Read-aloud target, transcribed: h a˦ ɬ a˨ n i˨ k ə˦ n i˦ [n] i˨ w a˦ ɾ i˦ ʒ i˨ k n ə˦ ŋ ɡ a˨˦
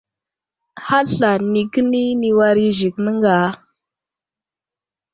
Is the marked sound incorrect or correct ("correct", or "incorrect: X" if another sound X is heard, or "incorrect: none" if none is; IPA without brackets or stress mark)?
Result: correct